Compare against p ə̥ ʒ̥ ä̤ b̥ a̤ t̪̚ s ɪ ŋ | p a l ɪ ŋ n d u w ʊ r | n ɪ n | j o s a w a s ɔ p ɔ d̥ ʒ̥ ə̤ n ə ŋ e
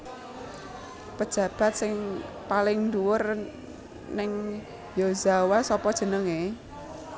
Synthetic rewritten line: p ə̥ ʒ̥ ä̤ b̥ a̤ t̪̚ s ɪ ŋ | p a l ɪ ŋ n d u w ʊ r | n ɪ ŋ | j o z a w a s ɔ p ɔ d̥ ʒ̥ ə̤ n ə ŋ e